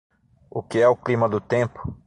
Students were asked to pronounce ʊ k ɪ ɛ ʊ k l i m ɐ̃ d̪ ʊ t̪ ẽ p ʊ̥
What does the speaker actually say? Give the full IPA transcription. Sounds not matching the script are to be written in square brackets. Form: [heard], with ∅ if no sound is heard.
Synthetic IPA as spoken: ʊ k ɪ ɛ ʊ k l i m [ɐ] d̪ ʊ t̪ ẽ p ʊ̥